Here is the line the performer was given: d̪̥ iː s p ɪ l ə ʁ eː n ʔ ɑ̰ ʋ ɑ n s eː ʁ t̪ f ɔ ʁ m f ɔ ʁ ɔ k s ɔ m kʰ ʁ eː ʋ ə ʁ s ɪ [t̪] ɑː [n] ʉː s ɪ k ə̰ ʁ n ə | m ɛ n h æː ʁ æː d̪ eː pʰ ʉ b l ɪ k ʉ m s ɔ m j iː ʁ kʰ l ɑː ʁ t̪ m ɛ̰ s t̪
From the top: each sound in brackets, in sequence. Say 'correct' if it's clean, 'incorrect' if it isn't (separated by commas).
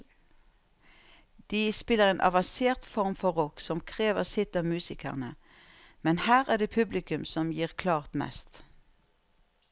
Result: correct, incorrect